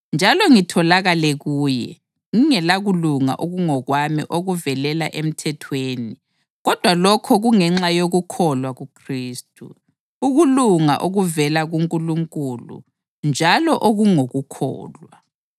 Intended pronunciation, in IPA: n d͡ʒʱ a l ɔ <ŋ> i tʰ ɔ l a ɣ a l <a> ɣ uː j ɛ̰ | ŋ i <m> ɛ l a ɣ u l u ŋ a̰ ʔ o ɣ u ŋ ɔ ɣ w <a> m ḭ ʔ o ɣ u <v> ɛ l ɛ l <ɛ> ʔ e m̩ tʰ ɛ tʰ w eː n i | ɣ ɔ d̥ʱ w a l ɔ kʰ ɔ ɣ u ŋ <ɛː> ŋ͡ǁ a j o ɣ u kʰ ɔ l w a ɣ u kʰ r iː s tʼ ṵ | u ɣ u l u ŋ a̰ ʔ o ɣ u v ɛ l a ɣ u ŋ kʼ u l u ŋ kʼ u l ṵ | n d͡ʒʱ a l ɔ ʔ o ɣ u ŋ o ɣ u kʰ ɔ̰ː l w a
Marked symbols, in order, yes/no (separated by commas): yes, no, no, yes, yes, no, no